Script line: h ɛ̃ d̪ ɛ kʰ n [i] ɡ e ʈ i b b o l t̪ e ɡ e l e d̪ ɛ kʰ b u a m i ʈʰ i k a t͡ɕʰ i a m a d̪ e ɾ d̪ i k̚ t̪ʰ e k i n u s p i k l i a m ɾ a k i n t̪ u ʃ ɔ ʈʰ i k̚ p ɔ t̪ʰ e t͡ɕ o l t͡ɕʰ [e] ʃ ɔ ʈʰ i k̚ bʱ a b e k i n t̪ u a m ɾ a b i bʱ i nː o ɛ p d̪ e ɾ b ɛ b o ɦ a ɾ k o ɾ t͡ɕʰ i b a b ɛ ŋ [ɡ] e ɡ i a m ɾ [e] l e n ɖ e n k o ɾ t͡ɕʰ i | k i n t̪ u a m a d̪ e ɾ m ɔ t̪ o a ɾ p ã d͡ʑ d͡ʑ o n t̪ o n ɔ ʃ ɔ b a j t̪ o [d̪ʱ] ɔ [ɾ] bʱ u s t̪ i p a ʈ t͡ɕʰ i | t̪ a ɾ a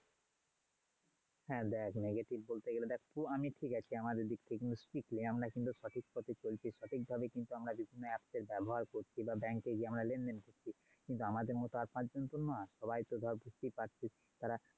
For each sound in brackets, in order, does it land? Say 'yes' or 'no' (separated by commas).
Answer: no, no, no, no, yes, yes